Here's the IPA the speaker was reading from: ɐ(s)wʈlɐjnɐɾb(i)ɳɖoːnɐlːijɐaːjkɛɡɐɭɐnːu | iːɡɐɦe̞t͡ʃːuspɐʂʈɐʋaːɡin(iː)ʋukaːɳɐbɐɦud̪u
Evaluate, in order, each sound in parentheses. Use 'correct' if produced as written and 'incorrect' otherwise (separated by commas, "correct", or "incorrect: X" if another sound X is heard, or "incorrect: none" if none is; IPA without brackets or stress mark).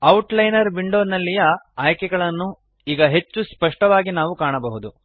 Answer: incorrect: none, correct, incorrect: aː